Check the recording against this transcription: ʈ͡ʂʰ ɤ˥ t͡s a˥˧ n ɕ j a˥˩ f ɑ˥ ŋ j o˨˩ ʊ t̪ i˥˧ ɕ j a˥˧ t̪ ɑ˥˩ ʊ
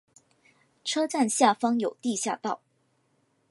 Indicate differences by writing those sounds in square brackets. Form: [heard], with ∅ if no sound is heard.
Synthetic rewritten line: ʈ͡ʂʰ ɤ˥ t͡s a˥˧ n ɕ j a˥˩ f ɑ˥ ŋ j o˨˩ ʊ t̪ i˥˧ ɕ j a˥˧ t̪ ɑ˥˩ ʊ